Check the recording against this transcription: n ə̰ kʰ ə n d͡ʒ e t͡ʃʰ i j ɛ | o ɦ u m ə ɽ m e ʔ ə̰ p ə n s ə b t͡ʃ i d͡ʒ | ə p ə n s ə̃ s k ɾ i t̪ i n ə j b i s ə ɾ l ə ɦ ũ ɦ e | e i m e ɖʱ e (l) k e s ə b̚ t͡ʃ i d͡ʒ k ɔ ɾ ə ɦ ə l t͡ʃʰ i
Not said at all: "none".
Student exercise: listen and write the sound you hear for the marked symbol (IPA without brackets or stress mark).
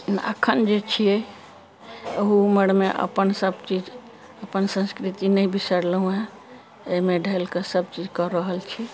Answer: l